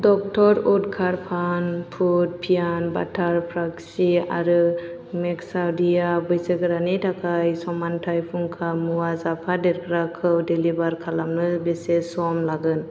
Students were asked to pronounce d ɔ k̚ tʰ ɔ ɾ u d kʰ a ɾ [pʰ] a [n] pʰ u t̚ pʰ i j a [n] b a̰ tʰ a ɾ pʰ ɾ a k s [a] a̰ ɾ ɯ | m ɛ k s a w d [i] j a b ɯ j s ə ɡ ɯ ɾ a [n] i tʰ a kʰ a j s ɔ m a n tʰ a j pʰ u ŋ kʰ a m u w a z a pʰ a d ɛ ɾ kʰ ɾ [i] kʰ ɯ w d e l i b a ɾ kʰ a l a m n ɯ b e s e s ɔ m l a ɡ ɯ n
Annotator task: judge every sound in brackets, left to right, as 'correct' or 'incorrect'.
correct, correct, correct, incorrect, correct, correct, incorrect

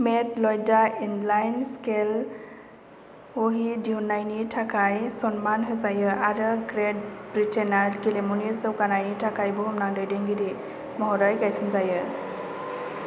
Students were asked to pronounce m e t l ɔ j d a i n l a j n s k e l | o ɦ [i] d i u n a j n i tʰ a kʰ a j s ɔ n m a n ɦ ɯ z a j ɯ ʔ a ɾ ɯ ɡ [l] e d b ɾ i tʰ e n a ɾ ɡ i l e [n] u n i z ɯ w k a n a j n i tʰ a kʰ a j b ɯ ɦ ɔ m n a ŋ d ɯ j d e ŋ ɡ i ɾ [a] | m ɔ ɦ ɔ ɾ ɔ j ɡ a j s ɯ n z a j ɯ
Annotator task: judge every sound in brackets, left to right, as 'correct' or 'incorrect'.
correct, incorrect, incorrect, incorrect

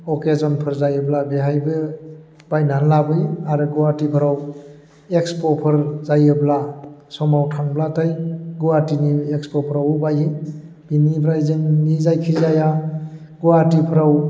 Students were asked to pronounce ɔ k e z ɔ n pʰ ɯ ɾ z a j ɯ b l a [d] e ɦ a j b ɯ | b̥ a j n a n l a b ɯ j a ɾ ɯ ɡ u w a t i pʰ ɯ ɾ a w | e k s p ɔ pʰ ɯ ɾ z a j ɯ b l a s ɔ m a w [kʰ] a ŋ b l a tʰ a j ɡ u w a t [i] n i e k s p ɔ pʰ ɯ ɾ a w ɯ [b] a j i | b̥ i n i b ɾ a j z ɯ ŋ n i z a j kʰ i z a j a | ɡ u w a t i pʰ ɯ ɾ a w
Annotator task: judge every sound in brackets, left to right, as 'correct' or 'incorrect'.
incorrect, incorrect, correct, correct

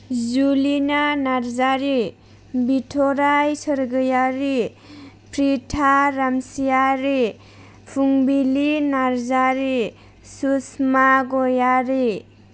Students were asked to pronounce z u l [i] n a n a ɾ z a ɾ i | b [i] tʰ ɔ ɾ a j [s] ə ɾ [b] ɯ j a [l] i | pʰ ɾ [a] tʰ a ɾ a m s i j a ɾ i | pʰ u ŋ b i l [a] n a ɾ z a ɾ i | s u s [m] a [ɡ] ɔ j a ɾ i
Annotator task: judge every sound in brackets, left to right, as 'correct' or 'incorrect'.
correct, correct, correct, incorrect, incorrect, incorrect, incorrect, correct, correct

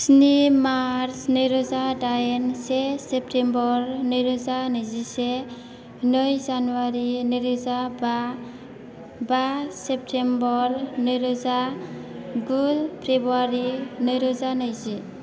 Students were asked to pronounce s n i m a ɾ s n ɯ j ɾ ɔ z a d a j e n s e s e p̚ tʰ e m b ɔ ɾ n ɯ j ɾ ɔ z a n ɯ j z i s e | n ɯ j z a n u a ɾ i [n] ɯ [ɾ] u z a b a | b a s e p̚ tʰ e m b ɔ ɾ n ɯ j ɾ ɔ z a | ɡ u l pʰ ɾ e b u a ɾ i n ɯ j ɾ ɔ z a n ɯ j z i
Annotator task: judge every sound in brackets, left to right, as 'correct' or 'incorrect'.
correct, correct

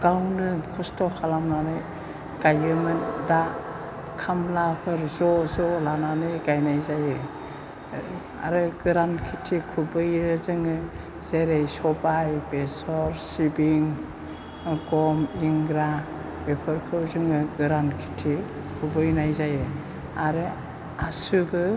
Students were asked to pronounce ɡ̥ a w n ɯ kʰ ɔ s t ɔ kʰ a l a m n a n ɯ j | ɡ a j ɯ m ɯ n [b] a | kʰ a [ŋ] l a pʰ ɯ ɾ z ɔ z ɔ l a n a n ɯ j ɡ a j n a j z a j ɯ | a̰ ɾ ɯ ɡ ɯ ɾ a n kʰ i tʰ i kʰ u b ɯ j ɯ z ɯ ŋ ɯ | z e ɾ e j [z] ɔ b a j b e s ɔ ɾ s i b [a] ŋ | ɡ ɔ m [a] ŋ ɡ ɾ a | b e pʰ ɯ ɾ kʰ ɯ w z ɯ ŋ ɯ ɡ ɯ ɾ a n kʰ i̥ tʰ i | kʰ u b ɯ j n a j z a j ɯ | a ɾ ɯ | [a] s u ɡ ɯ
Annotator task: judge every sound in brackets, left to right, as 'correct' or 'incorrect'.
incorrect, incorrect, incorrect, incorrect, incorrect, correct

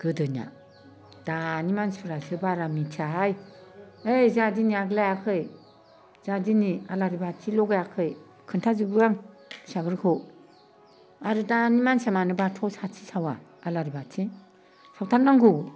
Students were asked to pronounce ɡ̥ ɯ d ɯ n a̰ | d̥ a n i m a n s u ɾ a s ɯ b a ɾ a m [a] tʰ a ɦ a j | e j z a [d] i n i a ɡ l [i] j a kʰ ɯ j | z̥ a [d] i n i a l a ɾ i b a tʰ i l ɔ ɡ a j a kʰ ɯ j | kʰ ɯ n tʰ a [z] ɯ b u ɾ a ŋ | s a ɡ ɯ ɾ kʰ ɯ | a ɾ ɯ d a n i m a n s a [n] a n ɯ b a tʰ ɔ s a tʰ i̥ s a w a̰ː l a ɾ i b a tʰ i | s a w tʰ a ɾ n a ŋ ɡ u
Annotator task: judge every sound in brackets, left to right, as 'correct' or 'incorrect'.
incorrect, correct, incorrect, correct, correct, incorrect

